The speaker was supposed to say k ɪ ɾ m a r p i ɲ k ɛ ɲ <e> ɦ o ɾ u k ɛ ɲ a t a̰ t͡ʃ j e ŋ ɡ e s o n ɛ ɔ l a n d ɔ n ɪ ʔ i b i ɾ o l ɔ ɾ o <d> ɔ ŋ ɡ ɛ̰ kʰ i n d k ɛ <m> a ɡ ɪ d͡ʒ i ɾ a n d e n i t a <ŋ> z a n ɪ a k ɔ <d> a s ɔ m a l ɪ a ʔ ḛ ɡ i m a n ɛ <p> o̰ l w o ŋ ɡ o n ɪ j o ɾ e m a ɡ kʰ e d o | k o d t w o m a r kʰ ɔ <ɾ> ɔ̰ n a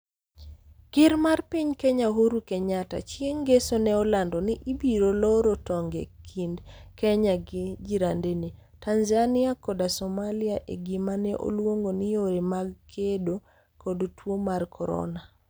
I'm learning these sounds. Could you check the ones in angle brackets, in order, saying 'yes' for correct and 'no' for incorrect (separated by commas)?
no, no, no, no, yes, no, yes